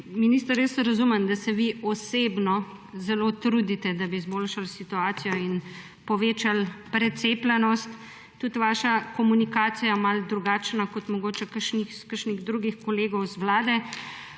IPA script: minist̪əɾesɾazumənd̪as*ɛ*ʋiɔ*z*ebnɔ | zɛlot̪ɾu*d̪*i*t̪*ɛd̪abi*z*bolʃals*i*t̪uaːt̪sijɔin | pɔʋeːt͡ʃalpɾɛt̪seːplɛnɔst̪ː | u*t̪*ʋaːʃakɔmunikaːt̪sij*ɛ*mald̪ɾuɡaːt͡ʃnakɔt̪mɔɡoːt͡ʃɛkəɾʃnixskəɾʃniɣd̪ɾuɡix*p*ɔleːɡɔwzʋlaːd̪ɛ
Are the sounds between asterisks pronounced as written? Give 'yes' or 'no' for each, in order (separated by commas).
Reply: yes, no, yes, yes, yes, yes, yes, no, no